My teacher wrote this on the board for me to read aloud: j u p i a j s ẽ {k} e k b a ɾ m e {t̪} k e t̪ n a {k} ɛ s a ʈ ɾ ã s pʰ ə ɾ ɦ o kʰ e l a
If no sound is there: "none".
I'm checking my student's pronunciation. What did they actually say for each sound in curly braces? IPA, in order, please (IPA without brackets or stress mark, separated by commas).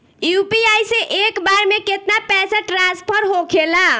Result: ʔ, none, p